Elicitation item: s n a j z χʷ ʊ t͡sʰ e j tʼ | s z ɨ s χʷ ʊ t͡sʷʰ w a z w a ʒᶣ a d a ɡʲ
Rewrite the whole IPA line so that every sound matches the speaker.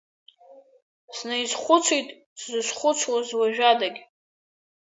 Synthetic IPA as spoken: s n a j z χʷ ʊ t͡sʰ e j tʼ | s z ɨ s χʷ ʊ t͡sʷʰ w a z w a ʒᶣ a d a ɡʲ

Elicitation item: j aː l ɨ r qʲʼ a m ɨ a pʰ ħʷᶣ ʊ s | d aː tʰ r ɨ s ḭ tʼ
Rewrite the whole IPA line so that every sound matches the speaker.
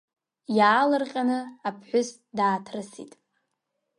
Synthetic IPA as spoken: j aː l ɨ r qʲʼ a n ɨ a pʰ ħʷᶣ ʊ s | d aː tʰ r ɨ s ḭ tʼ

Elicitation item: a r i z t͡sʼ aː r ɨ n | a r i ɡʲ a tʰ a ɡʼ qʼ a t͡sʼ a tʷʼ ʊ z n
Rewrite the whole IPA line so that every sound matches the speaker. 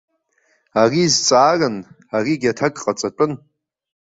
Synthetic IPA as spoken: a r i z t͡sʼ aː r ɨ n | a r i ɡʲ a tʰ a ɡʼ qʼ a t͡sʼ a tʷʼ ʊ n

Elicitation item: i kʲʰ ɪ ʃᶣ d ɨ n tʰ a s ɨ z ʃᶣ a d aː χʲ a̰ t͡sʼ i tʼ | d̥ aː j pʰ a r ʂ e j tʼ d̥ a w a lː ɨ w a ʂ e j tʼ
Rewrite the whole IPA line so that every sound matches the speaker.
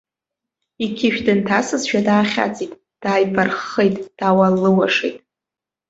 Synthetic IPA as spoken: i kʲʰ ɪ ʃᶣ d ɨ n tʰ a s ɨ z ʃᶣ a d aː χʲ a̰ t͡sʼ i tʼ | d̥ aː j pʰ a r χ e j tʼ d̥ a w a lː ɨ w a ʂ e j tʼ

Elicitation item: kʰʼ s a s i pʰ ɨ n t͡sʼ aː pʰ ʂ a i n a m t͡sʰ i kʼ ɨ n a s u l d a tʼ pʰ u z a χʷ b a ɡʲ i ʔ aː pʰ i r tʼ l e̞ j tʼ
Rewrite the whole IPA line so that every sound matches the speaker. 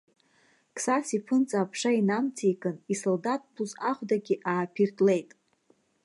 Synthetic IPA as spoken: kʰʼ s a s i pʰ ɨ n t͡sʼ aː pʰ ʂ a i n a m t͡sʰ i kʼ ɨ n i s o l d a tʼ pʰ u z a χʷ d a ɡʲ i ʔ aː pʰ i r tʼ l e̞ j tʼ

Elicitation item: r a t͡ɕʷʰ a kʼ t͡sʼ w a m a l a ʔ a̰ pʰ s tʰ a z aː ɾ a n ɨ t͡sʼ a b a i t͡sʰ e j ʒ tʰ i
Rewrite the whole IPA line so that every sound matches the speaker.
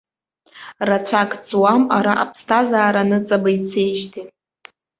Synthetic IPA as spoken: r a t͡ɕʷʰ a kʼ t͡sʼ w a m a ɾ a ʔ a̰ pʰ s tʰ a z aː ɾ a n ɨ t͡sʼ a b a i t͡sʰ e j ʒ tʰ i

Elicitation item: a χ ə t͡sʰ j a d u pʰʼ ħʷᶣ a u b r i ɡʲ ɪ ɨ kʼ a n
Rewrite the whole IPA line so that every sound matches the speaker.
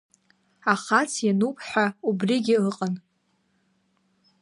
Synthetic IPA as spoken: a χ a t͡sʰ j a n u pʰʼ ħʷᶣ a u b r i ɡʲ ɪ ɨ qʼ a n

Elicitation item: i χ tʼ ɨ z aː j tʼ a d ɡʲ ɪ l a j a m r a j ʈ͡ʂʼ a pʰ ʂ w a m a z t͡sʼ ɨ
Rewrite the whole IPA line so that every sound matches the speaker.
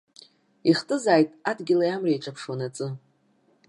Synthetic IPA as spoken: i χ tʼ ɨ z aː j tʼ a d ɡʲ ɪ l a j a m r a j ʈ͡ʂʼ a pʰ ʂ w a n a t͡sʼ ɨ

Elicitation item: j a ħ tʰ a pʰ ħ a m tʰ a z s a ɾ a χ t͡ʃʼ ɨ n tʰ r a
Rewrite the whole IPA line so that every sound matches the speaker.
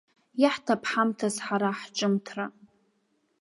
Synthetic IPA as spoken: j a ħ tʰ a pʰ ħ a m tʰ a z ħ a ɾ a ħ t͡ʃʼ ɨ m tʰ r a

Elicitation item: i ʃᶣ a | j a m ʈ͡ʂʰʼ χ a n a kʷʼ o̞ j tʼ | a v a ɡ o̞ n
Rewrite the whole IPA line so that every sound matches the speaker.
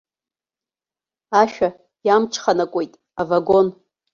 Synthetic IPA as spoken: a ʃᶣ a | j a m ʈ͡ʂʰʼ χ a n a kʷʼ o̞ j tʼ | a v a ɡ o̞ n

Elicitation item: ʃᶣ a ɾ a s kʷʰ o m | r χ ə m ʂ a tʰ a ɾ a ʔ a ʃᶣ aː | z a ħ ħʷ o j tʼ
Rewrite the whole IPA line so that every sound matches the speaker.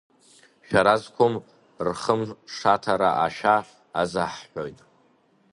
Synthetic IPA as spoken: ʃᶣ a ɾ a z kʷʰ o m | r χ ə m ʂ a tʰ a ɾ a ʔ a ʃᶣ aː | z a ħ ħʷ o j tʼ

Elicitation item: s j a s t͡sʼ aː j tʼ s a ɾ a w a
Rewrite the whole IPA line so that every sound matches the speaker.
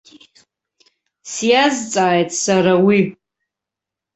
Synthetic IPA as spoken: s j a z t͡sʼ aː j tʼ s a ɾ a w i

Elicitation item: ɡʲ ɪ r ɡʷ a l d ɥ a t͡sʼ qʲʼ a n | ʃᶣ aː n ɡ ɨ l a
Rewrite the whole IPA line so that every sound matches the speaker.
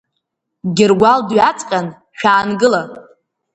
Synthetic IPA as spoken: ɡʲ ɪ r ɡʷ a l d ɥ a t͡sʼ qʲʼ a n | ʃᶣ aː n ɡ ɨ l a

